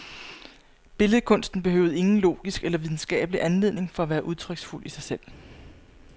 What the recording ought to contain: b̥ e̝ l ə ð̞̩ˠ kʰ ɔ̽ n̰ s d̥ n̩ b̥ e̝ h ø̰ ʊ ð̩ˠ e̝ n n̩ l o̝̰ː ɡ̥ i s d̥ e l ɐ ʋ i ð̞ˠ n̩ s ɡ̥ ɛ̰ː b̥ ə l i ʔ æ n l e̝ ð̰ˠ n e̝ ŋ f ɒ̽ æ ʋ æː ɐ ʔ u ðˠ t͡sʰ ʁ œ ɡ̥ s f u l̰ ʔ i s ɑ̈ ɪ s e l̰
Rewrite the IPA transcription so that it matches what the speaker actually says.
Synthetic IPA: b̥ e̝ l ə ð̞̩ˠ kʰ ɔ̽ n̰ s d̥ n̩ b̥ e̝ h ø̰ ʊ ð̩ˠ e̝ ŋ n̩ l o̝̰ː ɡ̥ i s ɡ̥ e l ɐ ʋ i ð̞ˠ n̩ s ɡ̥ ɛ̰ː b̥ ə l i ʔ æ n l e̝ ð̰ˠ n e̝ ŋ f ɒ̽ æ ʋ æː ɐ ʔ u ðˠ t͡sʰ ʁ œ ɡ̥ s f u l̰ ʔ i s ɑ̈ ɪ s e l̰